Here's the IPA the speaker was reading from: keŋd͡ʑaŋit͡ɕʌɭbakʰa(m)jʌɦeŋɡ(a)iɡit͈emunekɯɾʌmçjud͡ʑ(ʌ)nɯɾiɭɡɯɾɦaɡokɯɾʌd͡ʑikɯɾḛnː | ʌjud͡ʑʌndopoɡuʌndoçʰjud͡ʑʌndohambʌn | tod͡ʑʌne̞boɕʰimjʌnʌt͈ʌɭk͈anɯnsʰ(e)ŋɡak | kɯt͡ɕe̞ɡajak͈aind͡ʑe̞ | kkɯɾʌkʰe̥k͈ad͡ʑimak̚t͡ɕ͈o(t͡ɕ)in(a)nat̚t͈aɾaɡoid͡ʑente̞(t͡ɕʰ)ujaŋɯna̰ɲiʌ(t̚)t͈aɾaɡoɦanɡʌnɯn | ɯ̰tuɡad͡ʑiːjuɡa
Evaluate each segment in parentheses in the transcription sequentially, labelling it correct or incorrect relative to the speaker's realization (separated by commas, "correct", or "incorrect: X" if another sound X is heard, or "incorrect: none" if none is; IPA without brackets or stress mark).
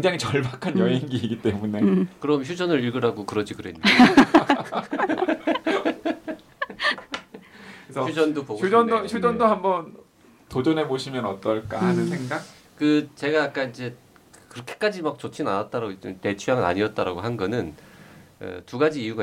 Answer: incorrect: n, incorrect: i, correct, correct, incorrect: t͡ɕʰ, correct, correct, correct